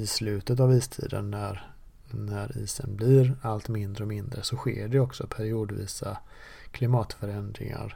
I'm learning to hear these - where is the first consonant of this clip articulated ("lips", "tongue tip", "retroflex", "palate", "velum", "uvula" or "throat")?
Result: tongue tip